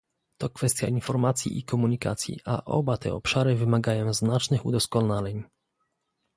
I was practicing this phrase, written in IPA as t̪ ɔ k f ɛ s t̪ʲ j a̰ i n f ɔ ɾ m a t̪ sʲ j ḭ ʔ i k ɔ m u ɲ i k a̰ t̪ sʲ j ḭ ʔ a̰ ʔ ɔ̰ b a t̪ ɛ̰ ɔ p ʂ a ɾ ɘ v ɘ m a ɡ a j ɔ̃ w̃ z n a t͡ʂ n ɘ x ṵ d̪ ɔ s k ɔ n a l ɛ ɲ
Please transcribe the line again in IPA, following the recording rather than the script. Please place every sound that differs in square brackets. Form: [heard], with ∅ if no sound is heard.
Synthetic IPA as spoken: t̪ ɔ k f ɛ s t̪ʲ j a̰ i n f ɔ ɾ m a t̪ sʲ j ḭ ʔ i k ɔ m u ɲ i k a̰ t̪ sʲ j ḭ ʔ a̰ ʔ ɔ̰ b a t̪ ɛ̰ ɔ p ʂ a ɾ ɘ v ɘ m a ɡ a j ɔ̃ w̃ z n a t͡ʂ n ɘ x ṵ d̪ ɔ s k ɔ n a l ɛ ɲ